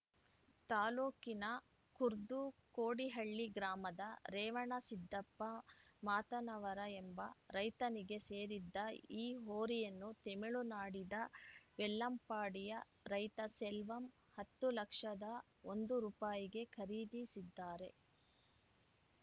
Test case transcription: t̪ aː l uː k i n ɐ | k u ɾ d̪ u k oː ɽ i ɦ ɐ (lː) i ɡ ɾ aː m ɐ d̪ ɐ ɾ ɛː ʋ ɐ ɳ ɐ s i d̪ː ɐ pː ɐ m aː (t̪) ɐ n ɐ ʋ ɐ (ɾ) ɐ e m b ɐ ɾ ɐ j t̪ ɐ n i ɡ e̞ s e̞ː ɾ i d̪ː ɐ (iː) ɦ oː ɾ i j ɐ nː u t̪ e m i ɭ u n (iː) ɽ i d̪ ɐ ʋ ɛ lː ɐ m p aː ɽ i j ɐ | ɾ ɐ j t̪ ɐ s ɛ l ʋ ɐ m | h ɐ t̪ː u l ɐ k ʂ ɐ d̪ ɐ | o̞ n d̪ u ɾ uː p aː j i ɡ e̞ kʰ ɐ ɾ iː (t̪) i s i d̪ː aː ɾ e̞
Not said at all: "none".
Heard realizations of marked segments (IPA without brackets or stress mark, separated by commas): ɭː, t̪, ɾ, iː, aː, d̪